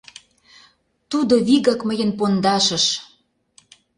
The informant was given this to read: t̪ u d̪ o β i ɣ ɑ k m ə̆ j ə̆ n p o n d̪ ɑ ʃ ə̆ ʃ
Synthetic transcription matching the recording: t̪ u d̪ o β i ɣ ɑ k m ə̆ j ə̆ n p o n d̪ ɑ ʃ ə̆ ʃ